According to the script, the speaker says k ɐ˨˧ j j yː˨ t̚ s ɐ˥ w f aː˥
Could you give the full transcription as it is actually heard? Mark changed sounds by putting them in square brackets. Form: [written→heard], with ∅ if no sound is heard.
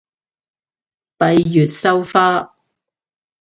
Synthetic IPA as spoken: [k→p] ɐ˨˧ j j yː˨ t̚ s ɐ˥ w f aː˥